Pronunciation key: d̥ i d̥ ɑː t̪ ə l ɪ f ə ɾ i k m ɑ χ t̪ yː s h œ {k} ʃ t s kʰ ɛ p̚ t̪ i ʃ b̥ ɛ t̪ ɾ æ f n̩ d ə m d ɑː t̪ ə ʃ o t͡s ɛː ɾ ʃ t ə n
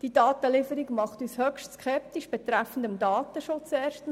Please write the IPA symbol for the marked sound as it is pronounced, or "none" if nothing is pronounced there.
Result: k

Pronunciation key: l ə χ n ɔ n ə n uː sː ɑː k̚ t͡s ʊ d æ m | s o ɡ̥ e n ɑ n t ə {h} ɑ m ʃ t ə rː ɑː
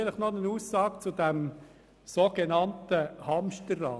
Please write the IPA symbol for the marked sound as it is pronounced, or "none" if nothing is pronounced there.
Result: h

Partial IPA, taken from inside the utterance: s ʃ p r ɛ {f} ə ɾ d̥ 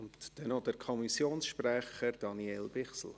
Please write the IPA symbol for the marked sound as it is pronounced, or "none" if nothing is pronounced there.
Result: χ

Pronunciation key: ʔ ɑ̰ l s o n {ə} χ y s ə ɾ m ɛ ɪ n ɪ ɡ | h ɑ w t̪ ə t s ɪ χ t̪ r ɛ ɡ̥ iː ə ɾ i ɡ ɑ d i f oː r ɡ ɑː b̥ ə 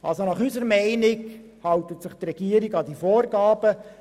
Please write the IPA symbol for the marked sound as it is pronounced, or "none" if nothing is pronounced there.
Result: ɑ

